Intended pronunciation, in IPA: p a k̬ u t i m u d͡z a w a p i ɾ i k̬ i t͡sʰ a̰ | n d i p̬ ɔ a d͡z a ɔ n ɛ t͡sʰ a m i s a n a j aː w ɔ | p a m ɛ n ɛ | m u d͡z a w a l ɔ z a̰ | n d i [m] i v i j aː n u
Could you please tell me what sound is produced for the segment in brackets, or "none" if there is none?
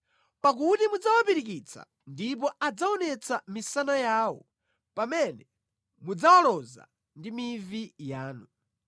m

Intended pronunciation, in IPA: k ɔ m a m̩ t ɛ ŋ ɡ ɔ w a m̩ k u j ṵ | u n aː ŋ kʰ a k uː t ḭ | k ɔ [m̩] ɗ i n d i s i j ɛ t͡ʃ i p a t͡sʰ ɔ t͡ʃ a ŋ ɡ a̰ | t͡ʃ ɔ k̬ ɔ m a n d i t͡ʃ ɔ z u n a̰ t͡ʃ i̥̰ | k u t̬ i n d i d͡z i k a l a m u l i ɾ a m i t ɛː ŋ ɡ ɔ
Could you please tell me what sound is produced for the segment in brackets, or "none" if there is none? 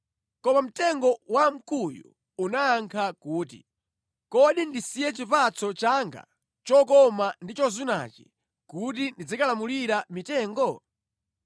none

